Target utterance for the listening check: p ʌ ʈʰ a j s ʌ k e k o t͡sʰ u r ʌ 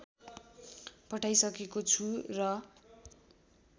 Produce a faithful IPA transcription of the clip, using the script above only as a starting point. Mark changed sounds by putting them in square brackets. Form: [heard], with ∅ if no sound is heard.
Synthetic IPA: p ʌ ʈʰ a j s ʌ k e k o t͡sʰ u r ʌ